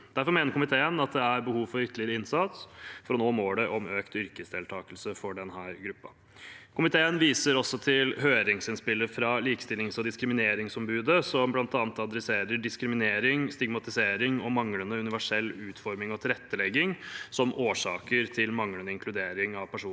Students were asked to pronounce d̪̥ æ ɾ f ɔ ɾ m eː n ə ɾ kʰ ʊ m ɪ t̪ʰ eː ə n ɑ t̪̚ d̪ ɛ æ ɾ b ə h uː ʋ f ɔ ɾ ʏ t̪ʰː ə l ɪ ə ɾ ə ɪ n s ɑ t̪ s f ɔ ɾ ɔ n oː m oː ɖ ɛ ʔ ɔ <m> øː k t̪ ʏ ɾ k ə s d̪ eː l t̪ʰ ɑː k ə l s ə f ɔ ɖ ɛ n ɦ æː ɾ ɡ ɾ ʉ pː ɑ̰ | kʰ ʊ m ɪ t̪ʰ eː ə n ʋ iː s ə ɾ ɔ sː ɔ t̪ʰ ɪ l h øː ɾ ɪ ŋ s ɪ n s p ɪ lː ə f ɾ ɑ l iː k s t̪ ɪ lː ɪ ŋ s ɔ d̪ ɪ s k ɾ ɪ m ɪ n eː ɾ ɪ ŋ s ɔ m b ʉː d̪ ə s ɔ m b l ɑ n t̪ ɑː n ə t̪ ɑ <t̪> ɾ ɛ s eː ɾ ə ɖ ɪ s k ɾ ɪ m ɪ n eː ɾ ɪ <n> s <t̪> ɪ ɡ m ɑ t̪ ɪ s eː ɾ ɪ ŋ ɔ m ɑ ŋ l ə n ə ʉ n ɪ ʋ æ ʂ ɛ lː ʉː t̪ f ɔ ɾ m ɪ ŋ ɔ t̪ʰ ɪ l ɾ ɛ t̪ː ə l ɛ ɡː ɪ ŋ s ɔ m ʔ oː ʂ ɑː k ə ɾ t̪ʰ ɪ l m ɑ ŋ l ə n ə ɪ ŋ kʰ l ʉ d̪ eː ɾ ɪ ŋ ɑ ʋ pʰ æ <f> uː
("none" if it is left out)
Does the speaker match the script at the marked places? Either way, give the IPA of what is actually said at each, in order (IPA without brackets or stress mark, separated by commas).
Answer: m, d̪, ŋ, t̪, ʂ